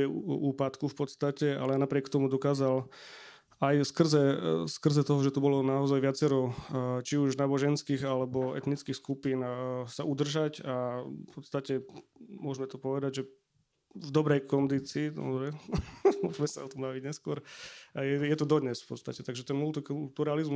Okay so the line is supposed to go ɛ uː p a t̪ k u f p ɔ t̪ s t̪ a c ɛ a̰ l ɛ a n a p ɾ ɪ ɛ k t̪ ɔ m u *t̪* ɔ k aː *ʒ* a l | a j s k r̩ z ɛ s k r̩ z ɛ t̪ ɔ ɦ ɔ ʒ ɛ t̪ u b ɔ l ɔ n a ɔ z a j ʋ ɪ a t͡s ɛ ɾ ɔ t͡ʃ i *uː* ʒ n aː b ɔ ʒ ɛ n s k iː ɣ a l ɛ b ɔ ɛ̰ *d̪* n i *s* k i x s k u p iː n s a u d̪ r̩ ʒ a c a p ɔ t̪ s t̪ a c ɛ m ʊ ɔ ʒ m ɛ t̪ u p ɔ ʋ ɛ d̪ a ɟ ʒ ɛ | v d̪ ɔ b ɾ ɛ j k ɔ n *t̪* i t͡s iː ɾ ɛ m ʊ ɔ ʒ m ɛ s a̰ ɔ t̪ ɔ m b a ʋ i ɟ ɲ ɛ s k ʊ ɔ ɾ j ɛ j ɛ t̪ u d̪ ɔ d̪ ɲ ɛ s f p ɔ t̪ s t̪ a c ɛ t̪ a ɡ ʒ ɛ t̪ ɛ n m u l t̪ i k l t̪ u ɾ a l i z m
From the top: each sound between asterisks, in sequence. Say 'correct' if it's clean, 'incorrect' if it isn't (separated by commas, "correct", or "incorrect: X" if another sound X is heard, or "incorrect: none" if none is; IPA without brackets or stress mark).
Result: incorrect: d̪, incorrect: z, incorrect: u, incorrect: t̪, incorrect: t͡s, incorrect: d̪